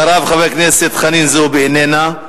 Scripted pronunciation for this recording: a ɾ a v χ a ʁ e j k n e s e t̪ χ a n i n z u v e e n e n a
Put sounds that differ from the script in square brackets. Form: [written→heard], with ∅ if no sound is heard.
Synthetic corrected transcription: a ɾ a v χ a [ʁ→v] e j k n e s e t̪ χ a n i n z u [v→b] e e n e n a